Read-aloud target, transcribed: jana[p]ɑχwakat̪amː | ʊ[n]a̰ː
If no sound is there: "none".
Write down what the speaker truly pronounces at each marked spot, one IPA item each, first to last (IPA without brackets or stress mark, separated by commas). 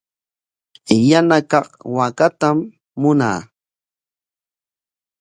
k, n